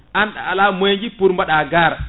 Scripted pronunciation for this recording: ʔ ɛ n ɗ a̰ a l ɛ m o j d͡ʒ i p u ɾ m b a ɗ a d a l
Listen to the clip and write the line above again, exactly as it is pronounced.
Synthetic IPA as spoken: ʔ a n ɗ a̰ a l a m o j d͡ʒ i p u ɾ m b a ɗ a ɡ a ɾ